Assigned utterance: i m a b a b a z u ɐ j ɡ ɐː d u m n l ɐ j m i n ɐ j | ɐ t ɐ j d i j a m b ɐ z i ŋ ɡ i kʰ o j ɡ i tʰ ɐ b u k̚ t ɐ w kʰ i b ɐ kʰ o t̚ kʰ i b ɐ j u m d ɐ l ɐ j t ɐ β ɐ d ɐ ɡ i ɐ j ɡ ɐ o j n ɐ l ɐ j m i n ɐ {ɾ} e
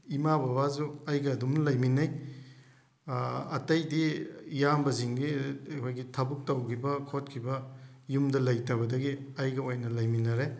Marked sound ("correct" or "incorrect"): correct